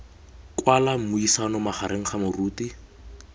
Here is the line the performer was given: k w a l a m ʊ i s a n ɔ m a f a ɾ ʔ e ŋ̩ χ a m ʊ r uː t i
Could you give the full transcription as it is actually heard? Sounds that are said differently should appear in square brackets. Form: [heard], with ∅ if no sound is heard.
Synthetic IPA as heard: k w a l a m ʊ i s a n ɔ m a [χ] a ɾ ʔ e ŋ̩ χ a m ʊ r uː t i